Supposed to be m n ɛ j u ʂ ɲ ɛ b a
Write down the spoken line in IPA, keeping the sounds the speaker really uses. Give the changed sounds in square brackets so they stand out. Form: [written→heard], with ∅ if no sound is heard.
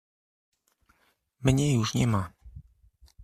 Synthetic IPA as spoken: m [n→ɲ] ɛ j u ʂ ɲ ɛ [b→m] a